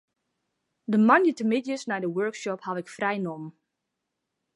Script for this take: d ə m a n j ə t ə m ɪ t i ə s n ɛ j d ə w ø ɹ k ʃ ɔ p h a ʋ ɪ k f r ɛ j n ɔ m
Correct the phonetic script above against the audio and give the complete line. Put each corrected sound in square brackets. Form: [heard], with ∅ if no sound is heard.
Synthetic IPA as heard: d ə m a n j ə t ə m ɪ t [j] ə s n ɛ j d ə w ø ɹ k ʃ ɔ p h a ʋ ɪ k f r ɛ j n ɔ m